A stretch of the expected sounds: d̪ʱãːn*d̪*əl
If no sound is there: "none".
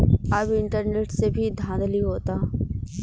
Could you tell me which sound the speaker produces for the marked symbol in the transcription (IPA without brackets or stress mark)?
d̪